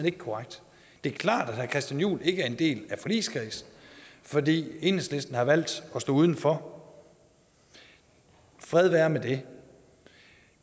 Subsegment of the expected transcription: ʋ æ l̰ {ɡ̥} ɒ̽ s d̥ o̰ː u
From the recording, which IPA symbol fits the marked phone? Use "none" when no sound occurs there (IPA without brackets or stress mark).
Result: d̥